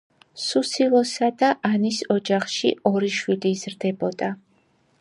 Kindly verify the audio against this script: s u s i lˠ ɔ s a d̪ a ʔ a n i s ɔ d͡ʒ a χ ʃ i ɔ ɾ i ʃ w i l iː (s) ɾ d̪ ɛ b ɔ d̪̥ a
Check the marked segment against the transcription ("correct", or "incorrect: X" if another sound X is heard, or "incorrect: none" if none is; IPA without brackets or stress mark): incorrect: z